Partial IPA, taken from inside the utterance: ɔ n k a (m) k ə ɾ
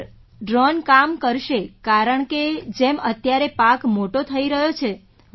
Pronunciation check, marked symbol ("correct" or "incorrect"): correct